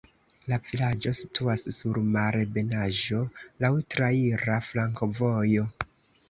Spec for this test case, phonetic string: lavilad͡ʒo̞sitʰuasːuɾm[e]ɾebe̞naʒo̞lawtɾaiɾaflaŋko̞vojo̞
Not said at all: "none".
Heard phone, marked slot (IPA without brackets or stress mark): a